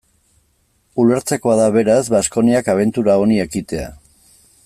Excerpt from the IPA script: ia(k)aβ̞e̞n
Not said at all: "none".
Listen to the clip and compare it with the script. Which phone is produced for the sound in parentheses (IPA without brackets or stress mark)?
k